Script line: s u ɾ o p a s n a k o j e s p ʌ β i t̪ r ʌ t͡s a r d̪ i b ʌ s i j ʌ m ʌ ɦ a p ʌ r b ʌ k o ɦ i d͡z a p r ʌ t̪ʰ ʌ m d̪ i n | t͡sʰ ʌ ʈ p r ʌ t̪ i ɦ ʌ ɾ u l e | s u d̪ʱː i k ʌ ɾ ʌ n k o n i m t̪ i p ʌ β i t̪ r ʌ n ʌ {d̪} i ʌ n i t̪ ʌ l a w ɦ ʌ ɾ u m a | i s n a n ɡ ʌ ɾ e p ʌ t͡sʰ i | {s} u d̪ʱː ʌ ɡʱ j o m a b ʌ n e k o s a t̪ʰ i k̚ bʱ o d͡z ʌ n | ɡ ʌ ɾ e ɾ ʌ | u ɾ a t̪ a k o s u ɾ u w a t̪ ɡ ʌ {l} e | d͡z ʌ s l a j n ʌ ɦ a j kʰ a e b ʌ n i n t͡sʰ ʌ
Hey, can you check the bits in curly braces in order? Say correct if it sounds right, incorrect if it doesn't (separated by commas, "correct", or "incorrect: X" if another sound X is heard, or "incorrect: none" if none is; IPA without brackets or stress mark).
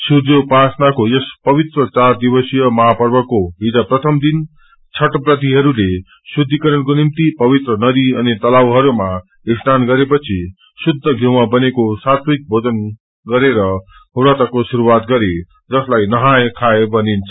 correct, correct, incorrect: ɾ